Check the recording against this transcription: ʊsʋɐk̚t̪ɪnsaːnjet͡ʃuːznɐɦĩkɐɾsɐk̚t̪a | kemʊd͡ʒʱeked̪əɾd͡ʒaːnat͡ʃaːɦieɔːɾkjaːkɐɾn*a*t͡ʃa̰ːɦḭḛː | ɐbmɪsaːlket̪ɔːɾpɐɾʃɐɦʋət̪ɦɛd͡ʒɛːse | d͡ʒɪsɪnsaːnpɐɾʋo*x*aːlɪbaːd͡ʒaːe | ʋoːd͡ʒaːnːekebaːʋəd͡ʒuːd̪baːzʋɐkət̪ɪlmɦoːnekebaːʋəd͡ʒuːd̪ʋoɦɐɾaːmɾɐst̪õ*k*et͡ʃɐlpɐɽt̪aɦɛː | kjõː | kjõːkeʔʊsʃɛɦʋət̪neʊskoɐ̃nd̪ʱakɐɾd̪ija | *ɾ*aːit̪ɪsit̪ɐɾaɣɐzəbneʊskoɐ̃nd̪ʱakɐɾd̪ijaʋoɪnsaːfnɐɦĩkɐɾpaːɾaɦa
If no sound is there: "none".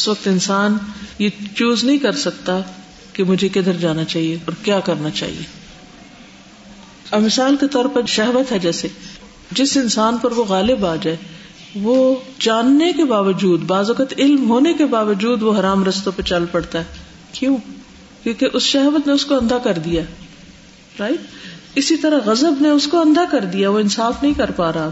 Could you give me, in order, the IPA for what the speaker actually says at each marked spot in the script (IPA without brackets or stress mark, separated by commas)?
a, ɣ, p, ɾ